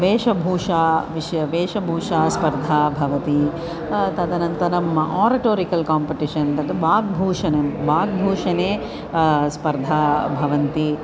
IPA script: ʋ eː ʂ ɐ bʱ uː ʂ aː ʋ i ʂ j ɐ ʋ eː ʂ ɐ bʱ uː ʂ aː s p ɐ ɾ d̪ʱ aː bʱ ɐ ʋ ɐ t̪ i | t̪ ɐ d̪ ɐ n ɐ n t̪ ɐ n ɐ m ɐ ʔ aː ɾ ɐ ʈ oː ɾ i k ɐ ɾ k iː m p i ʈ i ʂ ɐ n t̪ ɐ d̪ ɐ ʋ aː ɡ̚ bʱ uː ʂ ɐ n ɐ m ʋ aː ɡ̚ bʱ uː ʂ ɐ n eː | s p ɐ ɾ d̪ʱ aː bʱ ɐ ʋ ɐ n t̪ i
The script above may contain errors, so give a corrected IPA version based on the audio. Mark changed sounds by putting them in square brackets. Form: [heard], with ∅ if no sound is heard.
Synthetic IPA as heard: ʋ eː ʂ ɐ bʱ uː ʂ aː ʋ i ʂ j ɐ ʋ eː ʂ ɐ bʱ uː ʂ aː s p ɐ ɾ d̪ʱ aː bʱ ɐ ʋ ɐ t̪ i | t̪ ɐ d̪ ɐ n ɐ n t̪ ɐ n ɐ m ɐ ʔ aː ɾ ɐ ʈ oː ɾ i k ɐ [l] k [aː] m p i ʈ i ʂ ɐ n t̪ ɐ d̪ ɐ ʋ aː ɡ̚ bʱ uː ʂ ɐ n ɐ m ʋ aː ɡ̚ bʱ uː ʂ ɐ n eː | s p ɐ ɾ d̪ʱ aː bʱ ɐ ʋ ɐ n t̪ i

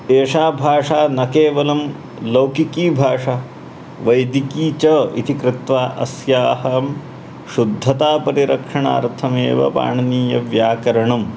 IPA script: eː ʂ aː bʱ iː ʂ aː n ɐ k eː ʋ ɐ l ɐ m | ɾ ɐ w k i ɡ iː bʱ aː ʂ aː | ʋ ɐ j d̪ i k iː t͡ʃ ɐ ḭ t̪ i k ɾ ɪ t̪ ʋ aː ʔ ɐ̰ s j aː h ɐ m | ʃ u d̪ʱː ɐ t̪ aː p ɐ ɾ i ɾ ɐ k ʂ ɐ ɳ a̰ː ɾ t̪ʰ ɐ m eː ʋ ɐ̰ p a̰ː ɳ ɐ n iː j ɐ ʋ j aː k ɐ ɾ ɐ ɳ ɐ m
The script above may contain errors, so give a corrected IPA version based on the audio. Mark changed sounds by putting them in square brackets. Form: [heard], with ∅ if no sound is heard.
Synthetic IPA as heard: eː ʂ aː bʱ [aː] ʂ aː n ɐ k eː ʋ ɐ l ɐ m | [l] ɐ w k i [k] iː bʱ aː ʂ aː | ʋ ɐ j d̪ i k iː t͡ʃ ɐ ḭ t̪ i k ɾ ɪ t̪ ʋ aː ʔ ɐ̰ s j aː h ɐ m | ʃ u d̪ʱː ɐ t̪ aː p ɐ ɾ i ɾ ɐ k ʂ ɐ ɳ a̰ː ɾ t̪ʰ ɐ m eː ʋ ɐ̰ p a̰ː ɳ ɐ n iː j ɐ ʋ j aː k ɐ ɾ ɐ ɳ ɐ m

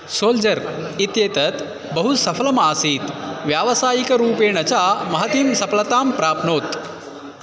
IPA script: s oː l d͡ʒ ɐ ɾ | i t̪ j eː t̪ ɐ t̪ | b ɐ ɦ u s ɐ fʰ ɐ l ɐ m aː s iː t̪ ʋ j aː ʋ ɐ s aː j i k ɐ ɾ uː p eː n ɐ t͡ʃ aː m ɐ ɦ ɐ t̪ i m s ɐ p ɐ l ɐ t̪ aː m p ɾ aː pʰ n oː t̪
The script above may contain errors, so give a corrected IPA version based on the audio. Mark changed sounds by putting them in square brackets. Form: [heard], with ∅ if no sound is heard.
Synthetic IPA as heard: s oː l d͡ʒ ɐ ɾ | i t̪ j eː t̪ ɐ t̪ | b ɐ ɦ u s ɐ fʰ ɐ l ɐ m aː s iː t̪ ʋ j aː ʋ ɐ s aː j i k ɐ ɾ uː p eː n ɐ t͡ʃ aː m ɐ ɦ ɐ t̪ i m s ɐ p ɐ l ɐ t̪ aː m p ɾ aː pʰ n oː t̪

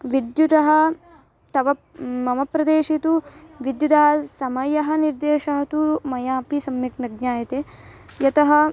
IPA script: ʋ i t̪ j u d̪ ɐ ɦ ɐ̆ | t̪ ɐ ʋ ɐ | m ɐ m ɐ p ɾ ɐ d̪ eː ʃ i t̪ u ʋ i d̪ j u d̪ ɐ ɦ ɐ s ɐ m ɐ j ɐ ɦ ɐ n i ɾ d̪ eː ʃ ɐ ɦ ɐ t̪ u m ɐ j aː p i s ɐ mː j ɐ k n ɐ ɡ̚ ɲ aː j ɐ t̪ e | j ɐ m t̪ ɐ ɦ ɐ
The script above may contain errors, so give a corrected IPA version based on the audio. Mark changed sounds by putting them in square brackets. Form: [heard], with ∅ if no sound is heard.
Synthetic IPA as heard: ʋ i [d̪] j u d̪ ɐ ɦ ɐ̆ | t̪ ɐ ʋ ɐ | m ɐ m ɐ p ɾ ɐ d̪ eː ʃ i t̪ u ʋ i d̪ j u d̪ ɐ ɦ ɐ s ɐ m ɐ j ɐ ɦ ɐ n i ɾ d̪ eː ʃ ɐ ɦ ɐ t̪ u m ɐ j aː p i s ɐ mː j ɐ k n ɐ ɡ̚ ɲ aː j ɐ t̪ e | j ɐ [∅] t̪ ɐ ɦ ɐ

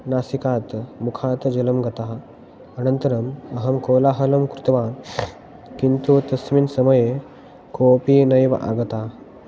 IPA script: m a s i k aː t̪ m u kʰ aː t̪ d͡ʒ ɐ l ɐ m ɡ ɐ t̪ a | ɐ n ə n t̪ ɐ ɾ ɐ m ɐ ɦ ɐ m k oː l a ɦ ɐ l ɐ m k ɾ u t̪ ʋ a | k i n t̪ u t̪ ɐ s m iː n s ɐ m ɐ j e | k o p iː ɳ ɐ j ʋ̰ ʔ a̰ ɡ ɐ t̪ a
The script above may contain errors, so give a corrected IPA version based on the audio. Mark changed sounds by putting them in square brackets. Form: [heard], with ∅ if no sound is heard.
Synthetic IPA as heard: [n] a s i k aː t̪ m u kʰ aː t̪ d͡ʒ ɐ l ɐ m ɡ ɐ t̪ a | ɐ n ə n t̪ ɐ ɾ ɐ m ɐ ɦ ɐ m k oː l a ɦ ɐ l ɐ m k ɾ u t̪ ʋ a | k i n t̪ u t̪ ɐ s m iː n s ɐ m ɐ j e | k o p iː [n] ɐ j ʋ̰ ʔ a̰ ɡ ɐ t̪ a

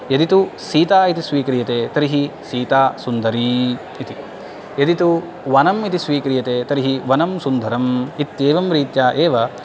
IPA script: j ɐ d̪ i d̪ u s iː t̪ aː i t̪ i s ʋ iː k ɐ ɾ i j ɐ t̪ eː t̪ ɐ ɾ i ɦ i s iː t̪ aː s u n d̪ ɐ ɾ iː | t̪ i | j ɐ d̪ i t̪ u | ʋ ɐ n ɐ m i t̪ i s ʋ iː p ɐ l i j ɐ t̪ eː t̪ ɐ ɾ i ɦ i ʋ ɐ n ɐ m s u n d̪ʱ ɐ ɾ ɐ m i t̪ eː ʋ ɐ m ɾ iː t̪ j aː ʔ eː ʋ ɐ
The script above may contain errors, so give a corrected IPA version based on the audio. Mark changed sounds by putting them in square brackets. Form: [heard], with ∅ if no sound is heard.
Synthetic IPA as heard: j ɐ d̪ i [t̪] u s iː t̪ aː i t̪ i s ʋ iː k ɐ ɾ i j ɐ t̪ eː t̪ ɐ ɾ i ɦ i s iː t̪ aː s u n d̪ ɐ ɾ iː | t̪ i | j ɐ d̪ i t̪ u | ʋ ɐ n ɐ m i t̪ i s ʋ iː [k] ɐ [ɾ] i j ɐ t̪ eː t̪ ɐ ɾ i ɦ i ʋ ɐ n ɐ m s u n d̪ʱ ɐ ɾ ɐ m i t̪ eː ʋ ɐ m ɾ iː t̪ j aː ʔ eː ʋ ɐ

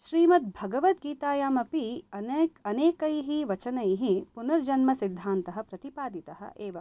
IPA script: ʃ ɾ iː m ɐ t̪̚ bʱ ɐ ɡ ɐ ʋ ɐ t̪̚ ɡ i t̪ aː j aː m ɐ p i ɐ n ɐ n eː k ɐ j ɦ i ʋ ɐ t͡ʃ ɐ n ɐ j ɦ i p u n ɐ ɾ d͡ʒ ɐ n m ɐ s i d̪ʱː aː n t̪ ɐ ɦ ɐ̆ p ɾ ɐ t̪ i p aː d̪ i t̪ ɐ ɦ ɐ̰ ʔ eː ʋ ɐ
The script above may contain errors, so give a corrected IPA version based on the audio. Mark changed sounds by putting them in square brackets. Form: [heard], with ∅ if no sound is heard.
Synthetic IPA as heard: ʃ ɾ iː m ɐ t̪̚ bʱ ɐ ɡ ɐ ʋ ɐ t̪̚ ɡ [iː] t̪ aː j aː m ɐ p i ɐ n ɐ n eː k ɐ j ɦ i ʋ ɐ t͡ʃ ɐ n ɐ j ɦ i p u n ɐ ɾ d͡ʒ ɐ n m ɐ s i d̪ʱː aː n t̪ ɐ ɦ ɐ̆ p ɾ ɐ t̪ i p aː d̪ i t̪ ɐ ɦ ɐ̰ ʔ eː ʋ ɐ

